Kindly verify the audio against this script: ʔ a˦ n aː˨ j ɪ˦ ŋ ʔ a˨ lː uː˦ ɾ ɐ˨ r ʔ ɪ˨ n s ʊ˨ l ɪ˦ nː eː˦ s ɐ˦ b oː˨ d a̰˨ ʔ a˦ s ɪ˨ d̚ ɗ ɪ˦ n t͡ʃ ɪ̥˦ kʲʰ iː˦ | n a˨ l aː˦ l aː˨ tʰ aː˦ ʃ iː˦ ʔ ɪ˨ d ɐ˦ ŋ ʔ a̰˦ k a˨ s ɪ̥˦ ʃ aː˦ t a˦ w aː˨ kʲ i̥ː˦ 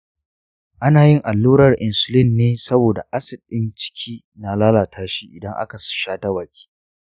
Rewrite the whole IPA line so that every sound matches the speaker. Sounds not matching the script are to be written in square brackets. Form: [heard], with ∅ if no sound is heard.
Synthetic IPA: ʔ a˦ n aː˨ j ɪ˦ ŋ ʔ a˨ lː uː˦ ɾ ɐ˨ r ʔ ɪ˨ n s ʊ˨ l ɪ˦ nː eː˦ s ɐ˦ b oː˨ d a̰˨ ʔ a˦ s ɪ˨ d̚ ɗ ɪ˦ n t͡ʃ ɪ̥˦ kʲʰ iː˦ | n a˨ l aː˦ l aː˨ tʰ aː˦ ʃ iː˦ ʔ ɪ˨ d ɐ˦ ŋ ʔ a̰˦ k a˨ s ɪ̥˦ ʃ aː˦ t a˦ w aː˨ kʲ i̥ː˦